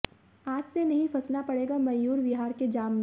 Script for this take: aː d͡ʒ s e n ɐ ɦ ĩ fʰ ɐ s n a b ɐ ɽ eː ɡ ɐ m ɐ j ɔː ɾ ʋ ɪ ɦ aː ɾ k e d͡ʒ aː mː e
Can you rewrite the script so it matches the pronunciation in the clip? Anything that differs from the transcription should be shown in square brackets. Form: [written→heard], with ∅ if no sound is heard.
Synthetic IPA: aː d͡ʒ s e n ɐ ɦ ĩ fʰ ɐ s n a [b→p] ɐ ɽ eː ɡ [ɐ→a] m ɐ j [ɔː→uː] ɾ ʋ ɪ ɦ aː ɾ k e d͡ʒ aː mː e